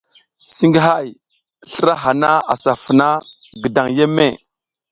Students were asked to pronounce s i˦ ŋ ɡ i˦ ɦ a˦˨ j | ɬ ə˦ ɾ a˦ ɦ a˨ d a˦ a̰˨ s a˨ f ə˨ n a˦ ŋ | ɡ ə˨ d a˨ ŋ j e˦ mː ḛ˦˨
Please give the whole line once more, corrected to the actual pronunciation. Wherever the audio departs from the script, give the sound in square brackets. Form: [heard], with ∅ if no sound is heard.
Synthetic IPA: s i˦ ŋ ɡ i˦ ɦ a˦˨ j | ɬ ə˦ ɾ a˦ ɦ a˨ [n] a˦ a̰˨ s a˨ f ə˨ n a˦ [∅] | ɡ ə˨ d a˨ ŋ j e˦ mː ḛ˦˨